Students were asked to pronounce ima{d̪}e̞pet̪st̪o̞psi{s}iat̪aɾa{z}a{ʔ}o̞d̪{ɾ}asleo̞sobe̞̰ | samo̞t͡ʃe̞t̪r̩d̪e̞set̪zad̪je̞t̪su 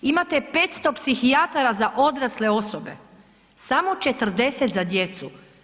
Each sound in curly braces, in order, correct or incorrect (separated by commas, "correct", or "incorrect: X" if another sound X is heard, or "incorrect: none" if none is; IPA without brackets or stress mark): incorrect: t̪, incorrect: x, correct, correct, correct